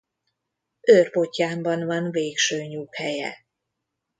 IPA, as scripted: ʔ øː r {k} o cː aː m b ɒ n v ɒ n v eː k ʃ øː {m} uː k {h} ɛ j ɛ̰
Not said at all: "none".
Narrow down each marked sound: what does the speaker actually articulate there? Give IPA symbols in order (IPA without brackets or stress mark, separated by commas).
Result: p, ɲ, h